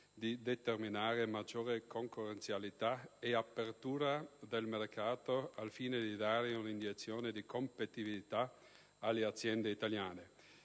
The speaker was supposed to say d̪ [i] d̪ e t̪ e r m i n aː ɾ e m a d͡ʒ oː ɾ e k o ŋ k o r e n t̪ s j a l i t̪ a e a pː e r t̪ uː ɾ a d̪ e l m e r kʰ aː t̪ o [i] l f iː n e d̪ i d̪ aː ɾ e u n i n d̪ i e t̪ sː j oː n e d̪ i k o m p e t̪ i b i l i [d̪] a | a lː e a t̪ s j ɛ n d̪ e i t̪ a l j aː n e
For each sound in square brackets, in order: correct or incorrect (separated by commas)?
correct, incorrect, incorrect